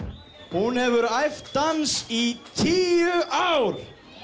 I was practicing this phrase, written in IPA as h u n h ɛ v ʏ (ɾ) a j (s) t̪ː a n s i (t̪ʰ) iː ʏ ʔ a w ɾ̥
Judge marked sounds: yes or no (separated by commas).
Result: yes, no, yes